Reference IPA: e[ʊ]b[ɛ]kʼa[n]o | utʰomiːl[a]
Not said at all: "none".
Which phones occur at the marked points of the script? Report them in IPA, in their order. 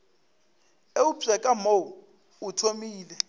u, ɛ, m, ɛ

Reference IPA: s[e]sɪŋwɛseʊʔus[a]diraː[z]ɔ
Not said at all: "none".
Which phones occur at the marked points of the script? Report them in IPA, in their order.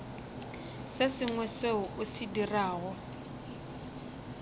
e, i, ɣ

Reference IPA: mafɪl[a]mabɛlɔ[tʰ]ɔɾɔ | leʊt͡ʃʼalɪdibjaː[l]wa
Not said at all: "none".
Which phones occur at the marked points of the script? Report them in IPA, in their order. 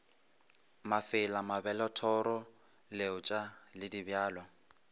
a, tʰ, l

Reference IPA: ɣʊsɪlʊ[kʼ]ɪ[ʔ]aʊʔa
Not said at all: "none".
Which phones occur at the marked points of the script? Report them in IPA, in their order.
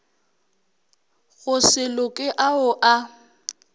kʼ, ʔ

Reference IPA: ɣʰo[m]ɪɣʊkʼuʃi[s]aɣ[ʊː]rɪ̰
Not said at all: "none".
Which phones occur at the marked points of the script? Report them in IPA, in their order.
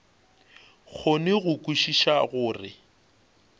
n, ʃ, ʊː

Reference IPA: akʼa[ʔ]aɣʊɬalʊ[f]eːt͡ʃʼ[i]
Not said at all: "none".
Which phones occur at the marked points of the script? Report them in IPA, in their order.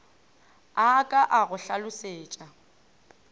ʔ, s, a

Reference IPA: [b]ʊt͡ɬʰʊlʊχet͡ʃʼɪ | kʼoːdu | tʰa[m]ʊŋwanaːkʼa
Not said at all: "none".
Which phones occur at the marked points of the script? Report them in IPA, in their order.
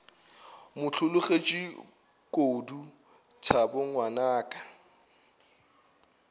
m, b

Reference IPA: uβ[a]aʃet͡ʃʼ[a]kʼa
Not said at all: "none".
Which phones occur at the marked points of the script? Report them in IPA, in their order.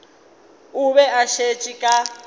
ɛ, i

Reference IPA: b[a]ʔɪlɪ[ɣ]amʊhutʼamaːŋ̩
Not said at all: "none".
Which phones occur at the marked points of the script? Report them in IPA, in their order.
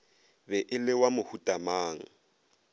ɛ, w

